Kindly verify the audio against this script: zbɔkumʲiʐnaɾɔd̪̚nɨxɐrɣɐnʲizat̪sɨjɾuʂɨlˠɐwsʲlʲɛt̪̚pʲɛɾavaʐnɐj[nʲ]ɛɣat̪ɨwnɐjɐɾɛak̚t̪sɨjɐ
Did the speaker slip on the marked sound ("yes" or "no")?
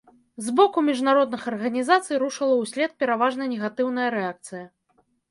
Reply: no